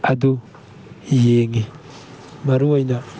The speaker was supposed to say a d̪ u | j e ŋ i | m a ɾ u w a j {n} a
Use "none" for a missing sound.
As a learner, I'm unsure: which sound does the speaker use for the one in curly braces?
n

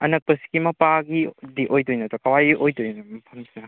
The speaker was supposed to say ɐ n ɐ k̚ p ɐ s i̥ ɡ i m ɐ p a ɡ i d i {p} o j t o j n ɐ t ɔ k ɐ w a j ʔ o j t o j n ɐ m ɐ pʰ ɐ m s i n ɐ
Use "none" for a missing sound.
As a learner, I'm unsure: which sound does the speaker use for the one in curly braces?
ʔ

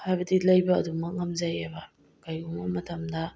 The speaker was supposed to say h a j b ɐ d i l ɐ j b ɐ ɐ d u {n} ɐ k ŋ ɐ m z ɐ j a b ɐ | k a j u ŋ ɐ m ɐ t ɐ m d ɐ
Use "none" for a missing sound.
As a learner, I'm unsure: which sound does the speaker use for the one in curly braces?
m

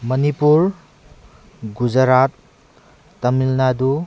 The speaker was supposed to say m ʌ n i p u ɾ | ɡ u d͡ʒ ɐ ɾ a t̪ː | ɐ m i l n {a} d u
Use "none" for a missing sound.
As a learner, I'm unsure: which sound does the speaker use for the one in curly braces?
a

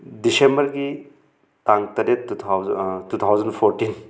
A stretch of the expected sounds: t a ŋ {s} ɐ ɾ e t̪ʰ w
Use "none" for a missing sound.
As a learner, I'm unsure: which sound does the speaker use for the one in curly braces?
t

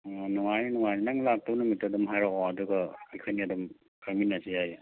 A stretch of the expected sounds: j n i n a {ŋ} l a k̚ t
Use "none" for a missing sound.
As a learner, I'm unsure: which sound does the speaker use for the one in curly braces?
ŋ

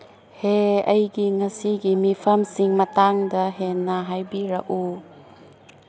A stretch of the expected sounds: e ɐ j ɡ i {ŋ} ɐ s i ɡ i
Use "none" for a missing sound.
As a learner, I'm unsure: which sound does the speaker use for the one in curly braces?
ŋ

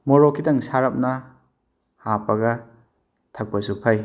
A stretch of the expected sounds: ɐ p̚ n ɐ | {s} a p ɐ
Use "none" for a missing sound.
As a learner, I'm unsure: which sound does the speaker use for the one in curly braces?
h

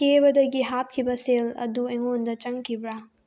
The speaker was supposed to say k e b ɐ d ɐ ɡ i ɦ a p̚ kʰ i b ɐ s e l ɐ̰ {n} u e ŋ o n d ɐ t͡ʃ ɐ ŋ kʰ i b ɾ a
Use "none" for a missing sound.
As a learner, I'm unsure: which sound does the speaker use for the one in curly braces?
d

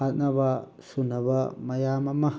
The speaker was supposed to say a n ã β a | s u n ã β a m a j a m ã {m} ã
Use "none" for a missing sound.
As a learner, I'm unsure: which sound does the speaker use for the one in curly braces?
m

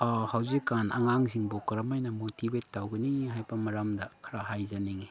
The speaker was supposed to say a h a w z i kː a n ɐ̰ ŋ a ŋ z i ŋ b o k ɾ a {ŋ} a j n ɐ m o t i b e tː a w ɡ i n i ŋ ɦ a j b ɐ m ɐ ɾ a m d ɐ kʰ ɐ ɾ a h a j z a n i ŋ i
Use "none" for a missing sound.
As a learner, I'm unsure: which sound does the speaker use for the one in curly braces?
m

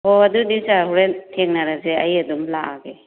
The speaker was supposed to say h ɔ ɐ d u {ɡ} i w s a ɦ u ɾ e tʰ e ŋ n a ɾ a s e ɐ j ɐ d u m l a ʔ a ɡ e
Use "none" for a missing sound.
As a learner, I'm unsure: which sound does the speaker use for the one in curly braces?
d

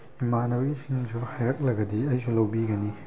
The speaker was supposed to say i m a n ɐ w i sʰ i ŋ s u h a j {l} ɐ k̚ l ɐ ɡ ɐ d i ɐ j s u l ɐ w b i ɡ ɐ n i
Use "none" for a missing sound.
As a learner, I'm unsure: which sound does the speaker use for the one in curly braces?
ɾ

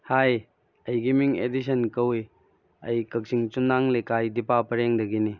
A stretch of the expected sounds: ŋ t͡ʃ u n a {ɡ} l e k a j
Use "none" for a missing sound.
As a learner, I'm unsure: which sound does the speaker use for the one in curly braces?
ŋ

